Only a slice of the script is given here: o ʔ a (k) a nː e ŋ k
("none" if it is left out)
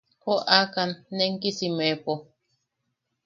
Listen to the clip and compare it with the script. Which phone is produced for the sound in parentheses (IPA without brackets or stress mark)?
k